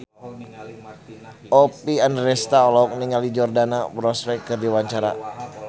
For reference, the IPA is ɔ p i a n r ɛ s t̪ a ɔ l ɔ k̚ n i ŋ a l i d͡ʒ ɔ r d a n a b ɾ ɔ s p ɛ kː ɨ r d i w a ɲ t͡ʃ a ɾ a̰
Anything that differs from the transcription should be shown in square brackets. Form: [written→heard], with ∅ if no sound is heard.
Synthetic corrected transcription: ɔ p i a n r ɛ s t̪ a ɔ l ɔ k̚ n i ŋ a l i d͡ʒ ɔ r d a n a b ɾ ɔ s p ɛ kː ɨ r d i w a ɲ t͡ʃ a ɾ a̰